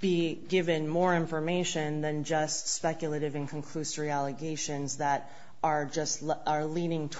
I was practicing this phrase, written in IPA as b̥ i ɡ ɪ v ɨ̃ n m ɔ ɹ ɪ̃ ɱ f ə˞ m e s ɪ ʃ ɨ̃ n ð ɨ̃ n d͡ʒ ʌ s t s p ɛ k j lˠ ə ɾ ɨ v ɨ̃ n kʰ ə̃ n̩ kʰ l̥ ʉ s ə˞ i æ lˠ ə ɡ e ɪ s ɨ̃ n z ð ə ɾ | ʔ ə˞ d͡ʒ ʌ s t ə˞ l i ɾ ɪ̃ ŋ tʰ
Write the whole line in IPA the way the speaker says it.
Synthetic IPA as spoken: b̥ i ɡ ɪ v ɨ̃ n m ɔ ɹ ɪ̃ ɱ f ə˞ m e ɪ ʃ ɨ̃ n ð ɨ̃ n d͡ʒ ʌ s t s p ɛ k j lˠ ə ɾ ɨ v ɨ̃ n kʰ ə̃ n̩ kʰ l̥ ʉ s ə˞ i æ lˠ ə ɡ e ɪ ʃ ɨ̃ n z ð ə ɾ | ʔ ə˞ d͡ʒ ʌ s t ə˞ l i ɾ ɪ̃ ŋ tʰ